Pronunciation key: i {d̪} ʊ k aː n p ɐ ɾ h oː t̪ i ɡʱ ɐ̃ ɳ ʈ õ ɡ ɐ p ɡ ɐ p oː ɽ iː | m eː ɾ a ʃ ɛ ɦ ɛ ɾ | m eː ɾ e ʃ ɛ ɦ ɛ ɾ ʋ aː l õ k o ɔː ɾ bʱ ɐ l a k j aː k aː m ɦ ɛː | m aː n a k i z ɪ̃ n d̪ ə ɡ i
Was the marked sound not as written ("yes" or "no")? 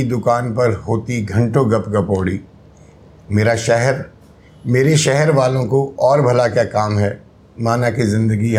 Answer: no